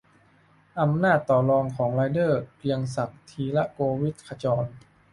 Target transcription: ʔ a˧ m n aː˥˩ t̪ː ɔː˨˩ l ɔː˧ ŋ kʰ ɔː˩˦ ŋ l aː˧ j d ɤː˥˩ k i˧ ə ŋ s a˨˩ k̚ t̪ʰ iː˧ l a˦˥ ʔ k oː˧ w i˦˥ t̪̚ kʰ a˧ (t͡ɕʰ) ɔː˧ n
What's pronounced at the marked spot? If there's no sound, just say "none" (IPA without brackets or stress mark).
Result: t͡ɕ